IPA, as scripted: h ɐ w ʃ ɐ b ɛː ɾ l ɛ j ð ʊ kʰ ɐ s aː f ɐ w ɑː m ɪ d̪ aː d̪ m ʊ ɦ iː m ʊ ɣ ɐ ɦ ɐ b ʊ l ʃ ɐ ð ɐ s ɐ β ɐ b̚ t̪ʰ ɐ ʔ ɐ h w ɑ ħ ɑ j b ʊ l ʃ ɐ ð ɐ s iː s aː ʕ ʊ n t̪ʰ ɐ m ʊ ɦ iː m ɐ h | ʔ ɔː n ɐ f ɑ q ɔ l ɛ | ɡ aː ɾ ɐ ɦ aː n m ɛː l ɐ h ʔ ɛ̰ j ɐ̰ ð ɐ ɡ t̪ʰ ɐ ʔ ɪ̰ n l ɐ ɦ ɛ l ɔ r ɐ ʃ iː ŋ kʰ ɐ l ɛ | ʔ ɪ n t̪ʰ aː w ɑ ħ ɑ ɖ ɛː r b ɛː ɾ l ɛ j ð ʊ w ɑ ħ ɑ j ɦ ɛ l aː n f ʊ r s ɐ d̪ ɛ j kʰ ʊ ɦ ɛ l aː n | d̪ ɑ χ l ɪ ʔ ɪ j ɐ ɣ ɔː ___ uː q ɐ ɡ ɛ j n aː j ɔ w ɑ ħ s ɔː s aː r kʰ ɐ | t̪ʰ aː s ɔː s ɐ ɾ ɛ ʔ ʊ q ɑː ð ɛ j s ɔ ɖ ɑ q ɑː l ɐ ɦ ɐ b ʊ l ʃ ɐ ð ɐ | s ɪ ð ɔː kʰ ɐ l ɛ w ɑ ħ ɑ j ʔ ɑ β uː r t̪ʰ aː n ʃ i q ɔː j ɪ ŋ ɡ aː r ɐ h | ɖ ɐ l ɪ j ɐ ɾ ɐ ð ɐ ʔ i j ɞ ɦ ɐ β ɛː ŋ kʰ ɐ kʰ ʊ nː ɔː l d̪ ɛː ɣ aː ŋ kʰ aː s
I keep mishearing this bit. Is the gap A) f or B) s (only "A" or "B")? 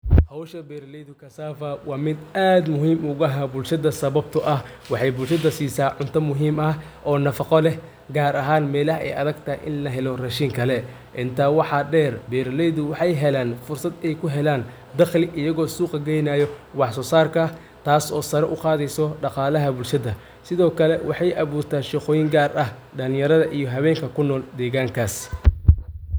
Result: B